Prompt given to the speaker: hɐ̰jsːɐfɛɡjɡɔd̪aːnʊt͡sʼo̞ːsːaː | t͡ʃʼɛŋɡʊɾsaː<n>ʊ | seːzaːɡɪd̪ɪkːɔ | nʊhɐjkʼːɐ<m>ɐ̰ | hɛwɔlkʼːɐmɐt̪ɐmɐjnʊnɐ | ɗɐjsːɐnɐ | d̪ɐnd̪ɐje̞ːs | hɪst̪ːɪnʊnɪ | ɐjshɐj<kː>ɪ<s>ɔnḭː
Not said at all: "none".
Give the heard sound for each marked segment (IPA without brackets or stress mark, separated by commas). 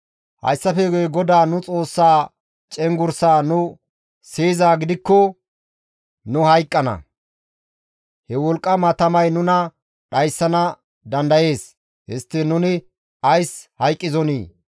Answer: n, n, kʼː, z